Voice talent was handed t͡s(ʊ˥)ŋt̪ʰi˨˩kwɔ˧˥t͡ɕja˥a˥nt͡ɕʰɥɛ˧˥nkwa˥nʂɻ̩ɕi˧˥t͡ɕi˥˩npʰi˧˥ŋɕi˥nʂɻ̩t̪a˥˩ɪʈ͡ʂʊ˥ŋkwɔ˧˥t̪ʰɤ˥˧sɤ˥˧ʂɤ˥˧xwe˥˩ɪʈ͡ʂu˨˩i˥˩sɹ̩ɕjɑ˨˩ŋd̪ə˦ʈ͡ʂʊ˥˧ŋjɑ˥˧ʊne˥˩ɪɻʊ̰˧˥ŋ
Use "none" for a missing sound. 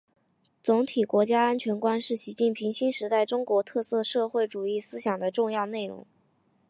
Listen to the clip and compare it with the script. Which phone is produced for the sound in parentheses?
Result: ʊ˧˥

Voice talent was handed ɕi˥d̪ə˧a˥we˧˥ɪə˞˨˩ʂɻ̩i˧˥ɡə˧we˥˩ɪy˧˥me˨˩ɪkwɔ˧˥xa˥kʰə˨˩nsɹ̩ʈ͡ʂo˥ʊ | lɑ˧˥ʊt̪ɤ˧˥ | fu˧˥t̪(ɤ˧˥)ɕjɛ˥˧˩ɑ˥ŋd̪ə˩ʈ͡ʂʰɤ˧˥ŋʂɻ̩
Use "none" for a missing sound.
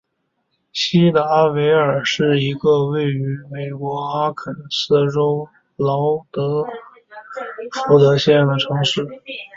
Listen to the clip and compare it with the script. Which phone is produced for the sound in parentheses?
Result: ɤ˧˥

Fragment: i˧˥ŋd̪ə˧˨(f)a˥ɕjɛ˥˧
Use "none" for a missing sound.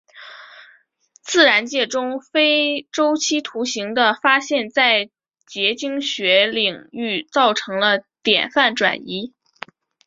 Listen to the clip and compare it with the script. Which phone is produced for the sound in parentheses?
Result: f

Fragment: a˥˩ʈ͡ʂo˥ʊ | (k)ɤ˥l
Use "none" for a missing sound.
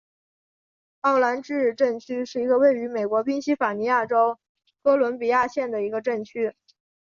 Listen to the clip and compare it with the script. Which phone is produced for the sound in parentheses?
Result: k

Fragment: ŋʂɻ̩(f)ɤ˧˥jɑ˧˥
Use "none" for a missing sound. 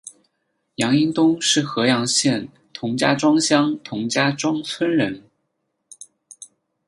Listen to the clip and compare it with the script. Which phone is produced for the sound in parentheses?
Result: x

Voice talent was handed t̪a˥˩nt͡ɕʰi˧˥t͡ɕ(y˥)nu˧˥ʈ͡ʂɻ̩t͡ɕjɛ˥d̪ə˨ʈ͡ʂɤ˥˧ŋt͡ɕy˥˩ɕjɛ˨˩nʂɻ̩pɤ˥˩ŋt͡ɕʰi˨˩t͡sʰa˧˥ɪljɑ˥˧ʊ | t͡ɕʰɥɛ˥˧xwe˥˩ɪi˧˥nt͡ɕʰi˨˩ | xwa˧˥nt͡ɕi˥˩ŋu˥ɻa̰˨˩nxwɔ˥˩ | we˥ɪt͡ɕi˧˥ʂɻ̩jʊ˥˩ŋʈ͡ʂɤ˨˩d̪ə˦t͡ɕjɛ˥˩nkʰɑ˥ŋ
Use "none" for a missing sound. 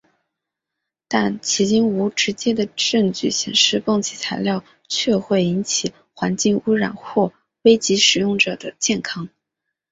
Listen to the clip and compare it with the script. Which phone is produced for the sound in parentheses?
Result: i˥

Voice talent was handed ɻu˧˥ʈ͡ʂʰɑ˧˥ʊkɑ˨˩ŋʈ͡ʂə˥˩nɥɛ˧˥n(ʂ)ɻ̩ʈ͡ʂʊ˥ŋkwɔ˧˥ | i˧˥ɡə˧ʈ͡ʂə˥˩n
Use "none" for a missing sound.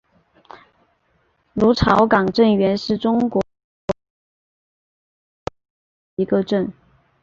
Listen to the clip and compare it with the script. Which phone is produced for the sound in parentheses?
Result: ʂ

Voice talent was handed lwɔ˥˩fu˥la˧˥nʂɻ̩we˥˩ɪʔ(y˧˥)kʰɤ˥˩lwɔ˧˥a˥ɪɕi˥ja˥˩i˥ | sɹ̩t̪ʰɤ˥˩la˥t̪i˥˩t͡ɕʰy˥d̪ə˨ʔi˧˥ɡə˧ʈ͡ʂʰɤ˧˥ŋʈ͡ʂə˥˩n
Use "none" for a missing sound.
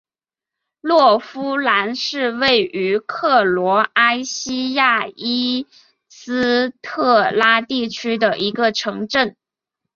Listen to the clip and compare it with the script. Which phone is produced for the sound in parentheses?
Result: y˧˥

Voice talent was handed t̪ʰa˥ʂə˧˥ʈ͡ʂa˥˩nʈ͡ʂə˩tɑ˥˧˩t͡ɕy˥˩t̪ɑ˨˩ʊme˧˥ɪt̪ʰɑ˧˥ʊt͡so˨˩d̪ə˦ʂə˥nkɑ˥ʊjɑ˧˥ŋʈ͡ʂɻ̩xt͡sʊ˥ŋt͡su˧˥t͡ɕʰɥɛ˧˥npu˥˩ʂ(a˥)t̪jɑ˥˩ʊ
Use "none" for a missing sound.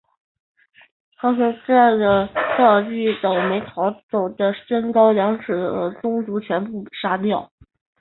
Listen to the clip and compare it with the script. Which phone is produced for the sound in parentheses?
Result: a˥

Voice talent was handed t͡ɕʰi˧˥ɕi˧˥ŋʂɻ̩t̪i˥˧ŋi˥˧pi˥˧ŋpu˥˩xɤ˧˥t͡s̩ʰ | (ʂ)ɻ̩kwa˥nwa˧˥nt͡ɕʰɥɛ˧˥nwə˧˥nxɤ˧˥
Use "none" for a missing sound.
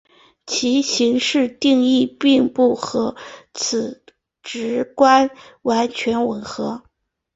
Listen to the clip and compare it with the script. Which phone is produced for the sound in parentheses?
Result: ʈ͡ʂ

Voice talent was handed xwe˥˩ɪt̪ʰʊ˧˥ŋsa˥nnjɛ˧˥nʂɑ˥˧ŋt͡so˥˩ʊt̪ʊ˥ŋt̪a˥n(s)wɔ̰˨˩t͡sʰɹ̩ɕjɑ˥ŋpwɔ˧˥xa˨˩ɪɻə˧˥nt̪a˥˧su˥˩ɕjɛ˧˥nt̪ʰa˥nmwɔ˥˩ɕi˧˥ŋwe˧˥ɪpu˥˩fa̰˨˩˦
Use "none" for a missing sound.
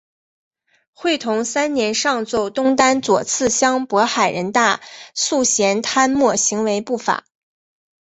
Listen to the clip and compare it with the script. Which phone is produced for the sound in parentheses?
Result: t͡s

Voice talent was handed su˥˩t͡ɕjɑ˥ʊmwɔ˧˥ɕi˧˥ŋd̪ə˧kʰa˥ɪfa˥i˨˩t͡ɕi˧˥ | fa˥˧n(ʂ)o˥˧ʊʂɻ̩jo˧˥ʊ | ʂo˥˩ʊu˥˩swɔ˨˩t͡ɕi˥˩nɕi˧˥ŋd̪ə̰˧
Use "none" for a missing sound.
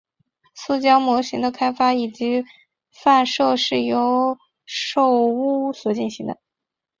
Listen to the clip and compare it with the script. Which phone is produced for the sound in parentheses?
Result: ʂ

